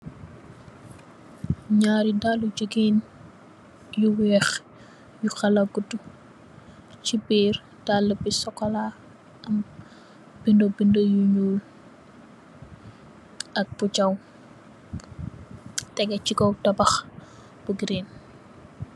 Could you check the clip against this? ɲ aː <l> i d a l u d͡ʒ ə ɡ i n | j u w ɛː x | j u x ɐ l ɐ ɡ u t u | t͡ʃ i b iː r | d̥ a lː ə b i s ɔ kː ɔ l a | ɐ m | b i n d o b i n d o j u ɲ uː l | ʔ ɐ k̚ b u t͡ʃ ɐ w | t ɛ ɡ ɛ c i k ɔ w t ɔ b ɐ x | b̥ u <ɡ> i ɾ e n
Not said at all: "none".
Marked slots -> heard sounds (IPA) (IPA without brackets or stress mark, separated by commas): ɾ, ɡ